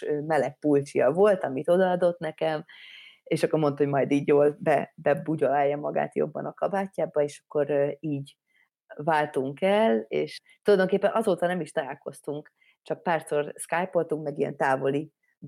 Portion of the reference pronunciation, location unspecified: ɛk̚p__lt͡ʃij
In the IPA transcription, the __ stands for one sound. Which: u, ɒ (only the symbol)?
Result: u